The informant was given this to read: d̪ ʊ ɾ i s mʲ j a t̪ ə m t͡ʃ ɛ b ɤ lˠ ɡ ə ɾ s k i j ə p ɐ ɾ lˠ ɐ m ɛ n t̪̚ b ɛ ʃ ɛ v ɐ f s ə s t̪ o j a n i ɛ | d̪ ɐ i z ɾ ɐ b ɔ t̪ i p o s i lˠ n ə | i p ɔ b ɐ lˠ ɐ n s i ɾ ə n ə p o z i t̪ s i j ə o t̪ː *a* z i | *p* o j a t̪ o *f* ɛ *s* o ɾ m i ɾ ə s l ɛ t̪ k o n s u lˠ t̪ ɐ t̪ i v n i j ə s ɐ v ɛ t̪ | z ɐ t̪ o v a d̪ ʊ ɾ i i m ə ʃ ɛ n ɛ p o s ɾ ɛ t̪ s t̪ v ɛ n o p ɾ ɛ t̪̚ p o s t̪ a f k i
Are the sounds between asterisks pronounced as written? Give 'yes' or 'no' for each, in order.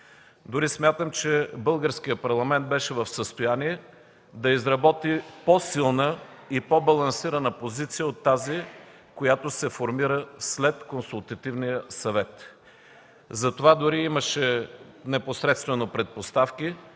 yes, no, no, no

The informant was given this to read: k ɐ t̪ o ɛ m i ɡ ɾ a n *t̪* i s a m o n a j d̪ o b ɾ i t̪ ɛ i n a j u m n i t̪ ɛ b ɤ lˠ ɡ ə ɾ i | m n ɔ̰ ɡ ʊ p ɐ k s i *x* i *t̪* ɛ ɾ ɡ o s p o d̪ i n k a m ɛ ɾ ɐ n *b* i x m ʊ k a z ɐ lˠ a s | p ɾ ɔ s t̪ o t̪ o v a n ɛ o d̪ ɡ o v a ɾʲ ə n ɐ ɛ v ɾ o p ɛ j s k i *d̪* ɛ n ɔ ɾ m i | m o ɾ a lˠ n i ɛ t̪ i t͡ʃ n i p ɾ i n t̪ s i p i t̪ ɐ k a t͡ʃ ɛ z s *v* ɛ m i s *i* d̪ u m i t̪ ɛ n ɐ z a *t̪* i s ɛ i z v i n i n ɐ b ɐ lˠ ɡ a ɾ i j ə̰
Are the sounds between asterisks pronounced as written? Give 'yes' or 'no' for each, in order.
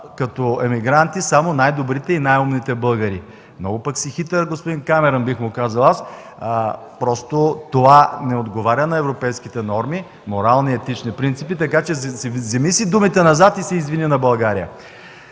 yes, yes, yes, yes, no, no, yes, yes

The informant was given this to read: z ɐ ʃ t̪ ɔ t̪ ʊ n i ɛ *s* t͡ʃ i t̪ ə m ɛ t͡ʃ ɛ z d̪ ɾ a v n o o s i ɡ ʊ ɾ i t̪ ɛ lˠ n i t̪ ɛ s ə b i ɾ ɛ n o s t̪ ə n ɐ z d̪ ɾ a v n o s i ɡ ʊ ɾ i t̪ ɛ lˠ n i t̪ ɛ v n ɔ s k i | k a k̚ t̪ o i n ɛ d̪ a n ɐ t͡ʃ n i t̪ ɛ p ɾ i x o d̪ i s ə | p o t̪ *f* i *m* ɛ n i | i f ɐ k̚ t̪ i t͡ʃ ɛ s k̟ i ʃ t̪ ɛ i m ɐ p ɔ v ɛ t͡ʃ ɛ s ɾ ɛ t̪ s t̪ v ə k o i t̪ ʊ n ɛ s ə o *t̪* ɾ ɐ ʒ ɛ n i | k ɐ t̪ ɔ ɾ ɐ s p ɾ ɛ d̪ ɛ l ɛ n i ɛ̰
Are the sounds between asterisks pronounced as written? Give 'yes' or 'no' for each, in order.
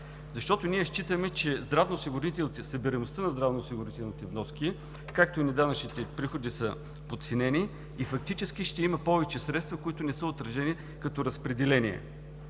no, no, no, yes

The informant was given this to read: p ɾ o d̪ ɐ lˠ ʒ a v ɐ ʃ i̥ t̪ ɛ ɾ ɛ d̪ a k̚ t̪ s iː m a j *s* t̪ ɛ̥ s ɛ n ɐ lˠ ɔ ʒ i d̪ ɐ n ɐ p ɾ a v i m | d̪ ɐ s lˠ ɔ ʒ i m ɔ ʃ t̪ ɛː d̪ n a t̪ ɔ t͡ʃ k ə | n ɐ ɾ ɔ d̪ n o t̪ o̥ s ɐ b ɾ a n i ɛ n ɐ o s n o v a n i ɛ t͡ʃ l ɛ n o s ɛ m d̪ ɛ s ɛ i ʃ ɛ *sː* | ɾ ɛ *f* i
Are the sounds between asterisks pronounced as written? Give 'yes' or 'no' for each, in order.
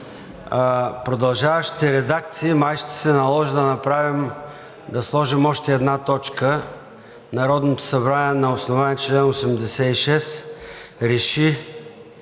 no, no, no

